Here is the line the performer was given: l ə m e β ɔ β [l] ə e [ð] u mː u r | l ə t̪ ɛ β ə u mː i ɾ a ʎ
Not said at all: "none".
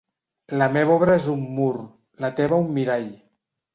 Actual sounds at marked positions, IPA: ɾ, z

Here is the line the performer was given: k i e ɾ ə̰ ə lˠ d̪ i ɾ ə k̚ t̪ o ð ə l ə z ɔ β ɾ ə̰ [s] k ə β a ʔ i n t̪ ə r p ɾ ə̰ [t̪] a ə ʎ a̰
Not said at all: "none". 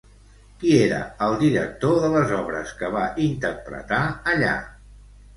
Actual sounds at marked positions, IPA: s, t̪

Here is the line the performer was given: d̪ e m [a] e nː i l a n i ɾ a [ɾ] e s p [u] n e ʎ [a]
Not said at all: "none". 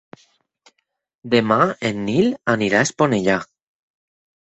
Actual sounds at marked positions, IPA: a, none, o, a

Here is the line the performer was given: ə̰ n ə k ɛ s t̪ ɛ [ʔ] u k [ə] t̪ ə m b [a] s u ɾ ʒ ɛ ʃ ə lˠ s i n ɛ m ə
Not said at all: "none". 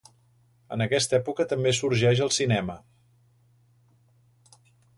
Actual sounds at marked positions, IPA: p, ə, e

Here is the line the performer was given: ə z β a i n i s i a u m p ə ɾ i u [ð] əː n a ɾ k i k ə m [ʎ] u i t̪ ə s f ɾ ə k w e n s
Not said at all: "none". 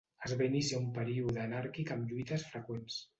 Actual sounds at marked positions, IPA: ð, ʎ

